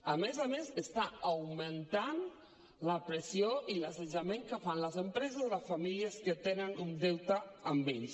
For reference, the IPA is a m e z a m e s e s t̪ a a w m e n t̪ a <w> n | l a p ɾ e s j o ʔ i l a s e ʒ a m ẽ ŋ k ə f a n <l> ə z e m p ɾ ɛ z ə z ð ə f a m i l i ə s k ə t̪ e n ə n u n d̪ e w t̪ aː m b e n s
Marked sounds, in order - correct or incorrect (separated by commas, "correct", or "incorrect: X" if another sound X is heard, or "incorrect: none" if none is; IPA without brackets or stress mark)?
incorrect: none, correct